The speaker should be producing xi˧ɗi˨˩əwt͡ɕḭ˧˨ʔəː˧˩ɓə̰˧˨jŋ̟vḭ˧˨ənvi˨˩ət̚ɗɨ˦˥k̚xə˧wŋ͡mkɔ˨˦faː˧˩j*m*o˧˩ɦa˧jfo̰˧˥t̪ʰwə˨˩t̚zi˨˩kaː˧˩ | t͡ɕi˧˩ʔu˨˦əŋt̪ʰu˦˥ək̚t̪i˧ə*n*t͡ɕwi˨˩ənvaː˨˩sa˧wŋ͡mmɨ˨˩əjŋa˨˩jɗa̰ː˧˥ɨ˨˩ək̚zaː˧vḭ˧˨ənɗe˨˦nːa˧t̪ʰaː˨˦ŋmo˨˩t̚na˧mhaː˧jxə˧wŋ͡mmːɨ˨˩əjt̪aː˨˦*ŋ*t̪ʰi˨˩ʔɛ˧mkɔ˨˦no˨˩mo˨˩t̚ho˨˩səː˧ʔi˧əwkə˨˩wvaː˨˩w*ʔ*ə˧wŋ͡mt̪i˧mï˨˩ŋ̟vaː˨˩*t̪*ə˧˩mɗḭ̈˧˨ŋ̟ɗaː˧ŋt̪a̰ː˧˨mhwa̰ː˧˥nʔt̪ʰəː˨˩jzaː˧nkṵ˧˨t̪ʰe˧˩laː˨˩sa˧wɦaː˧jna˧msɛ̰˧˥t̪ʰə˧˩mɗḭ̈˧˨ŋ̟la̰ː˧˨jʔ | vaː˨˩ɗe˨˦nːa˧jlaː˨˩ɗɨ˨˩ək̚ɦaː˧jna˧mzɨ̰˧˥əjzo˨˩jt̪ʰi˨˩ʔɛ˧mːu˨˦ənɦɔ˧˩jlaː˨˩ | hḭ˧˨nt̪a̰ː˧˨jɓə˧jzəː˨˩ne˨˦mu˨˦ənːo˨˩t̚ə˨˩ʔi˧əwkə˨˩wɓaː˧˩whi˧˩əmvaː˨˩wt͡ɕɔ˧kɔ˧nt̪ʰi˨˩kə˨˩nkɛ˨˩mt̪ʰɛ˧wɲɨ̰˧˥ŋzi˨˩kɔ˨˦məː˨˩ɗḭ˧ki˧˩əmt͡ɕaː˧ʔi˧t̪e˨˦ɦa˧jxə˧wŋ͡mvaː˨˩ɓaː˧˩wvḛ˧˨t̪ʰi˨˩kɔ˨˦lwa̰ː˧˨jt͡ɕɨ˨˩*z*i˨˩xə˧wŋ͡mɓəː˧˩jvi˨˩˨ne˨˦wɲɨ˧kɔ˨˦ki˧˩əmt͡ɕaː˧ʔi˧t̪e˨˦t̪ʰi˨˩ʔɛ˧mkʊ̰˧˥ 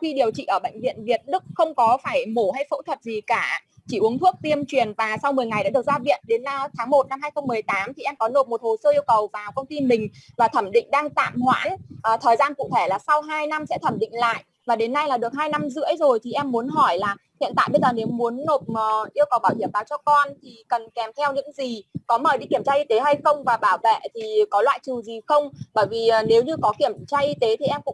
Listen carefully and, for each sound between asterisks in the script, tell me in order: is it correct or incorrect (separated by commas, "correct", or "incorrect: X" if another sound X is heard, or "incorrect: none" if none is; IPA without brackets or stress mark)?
correct, incorrect: m, incorrect: m, incorrect: k, incorrect: t̪ʰ, correct